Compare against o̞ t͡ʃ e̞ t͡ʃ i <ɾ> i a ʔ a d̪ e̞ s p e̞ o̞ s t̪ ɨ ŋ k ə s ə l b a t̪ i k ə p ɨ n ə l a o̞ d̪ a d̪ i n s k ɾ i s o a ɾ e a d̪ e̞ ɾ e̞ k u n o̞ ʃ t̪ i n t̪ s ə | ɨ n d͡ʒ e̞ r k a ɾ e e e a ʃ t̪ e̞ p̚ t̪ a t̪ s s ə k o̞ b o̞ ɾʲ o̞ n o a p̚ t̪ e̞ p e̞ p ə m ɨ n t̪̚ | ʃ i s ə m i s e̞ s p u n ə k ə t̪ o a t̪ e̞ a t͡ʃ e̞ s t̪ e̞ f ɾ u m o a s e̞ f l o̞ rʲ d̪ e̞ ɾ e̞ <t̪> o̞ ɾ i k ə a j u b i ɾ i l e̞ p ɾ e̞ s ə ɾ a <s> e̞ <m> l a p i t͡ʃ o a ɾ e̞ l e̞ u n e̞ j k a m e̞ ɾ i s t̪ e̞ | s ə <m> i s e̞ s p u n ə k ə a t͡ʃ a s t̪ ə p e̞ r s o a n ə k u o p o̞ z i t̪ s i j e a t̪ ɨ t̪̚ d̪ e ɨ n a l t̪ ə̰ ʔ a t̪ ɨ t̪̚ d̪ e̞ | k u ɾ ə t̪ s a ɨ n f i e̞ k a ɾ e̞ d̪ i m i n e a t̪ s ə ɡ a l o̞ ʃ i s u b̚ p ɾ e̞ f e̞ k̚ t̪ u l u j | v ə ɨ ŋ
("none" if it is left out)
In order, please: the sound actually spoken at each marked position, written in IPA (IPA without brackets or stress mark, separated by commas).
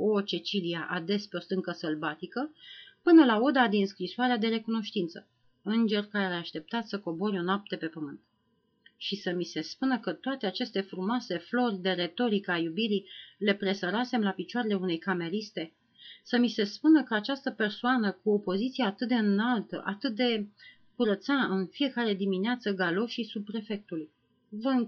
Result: l, t̪, s, m, m